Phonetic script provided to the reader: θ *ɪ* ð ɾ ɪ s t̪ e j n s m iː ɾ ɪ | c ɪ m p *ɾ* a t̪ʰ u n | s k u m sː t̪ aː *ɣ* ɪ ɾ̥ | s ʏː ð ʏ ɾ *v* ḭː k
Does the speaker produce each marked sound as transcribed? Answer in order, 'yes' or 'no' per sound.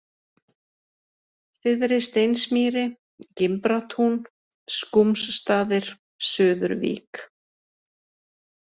yes, yes, no, yes

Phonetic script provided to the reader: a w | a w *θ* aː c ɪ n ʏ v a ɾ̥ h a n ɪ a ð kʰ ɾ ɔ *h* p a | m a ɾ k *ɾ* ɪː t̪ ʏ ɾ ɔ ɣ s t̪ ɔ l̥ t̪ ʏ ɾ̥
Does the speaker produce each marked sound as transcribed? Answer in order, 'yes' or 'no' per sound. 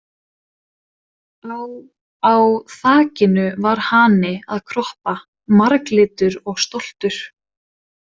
yes, yes, no

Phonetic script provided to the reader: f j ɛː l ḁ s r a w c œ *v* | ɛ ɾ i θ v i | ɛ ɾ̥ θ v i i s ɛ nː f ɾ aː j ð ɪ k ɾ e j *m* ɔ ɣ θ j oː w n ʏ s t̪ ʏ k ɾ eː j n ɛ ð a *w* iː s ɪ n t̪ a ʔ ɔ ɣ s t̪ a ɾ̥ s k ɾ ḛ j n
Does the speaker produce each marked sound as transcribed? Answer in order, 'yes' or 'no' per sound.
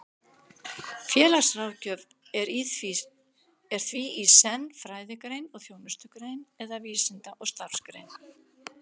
yes, no, no

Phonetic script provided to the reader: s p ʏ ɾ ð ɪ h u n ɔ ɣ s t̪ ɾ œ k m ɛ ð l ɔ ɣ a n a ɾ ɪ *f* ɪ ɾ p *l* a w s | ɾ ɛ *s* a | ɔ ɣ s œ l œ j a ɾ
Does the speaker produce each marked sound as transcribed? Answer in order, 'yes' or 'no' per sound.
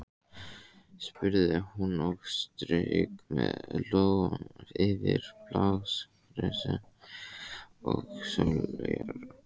no, yes, yes

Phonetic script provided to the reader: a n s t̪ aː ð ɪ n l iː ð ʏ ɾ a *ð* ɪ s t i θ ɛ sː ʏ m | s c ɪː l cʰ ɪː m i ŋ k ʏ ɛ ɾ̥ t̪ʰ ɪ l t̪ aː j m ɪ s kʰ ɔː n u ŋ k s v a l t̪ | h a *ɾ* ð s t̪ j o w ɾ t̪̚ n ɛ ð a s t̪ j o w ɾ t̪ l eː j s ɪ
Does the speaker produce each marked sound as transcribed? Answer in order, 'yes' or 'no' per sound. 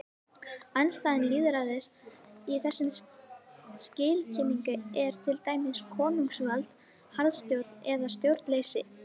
yes, yes

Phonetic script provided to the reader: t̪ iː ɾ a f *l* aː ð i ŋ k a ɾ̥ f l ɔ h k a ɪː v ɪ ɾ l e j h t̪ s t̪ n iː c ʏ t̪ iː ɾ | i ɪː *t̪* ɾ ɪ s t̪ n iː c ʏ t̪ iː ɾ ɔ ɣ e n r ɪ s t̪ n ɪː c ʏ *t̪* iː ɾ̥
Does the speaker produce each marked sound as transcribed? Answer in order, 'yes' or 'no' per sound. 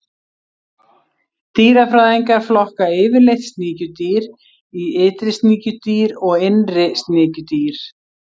no, yes, yes

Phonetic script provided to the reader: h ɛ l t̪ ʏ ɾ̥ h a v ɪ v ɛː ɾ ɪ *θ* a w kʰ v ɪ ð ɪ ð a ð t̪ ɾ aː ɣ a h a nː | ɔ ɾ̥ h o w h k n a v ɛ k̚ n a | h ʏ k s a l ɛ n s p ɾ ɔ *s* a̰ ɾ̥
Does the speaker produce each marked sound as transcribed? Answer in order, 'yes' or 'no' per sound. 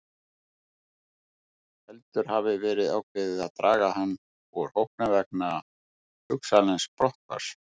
no, no

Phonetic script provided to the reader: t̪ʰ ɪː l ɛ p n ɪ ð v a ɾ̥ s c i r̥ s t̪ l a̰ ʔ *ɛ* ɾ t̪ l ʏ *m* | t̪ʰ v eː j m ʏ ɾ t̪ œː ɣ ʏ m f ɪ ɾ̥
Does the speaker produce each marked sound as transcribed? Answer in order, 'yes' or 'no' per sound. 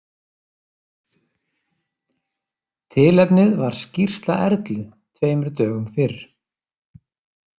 yes, no

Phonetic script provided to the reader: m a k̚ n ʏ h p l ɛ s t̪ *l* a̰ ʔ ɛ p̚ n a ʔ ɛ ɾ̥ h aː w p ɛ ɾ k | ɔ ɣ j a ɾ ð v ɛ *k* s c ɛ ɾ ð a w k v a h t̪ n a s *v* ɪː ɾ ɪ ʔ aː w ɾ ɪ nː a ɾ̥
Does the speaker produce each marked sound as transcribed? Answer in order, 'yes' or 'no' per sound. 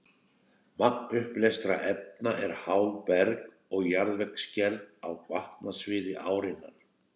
no, yes, yes

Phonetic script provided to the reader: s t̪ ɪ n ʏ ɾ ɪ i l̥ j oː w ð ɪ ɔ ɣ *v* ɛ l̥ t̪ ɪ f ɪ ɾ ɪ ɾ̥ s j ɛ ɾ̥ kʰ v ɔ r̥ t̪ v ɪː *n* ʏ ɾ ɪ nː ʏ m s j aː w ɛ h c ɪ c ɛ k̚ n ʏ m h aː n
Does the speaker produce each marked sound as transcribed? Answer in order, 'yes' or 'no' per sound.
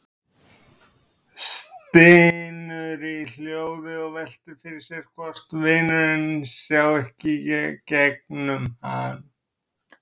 yes, yes

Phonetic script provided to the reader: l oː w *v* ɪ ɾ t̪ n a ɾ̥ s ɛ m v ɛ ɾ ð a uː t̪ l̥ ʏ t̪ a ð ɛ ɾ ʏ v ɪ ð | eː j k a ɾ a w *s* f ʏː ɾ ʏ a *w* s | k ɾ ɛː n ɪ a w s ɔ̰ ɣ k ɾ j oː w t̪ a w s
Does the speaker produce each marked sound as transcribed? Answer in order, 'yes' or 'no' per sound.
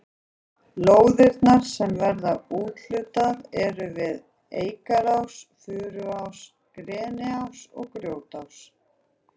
no, yes, yes

